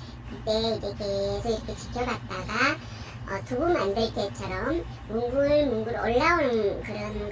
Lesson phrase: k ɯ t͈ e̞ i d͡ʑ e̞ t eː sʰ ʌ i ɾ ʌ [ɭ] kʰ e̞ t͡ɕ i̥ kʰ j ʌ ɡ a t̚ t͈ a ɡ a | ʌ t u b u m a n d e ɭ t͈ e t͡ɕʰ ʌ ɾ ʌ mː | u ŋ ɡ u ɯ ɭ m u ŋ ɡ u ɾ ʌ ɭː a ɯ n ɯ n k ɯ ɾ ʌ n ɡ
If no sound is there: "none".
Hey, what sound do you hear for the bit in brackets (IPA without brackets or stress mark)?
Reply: none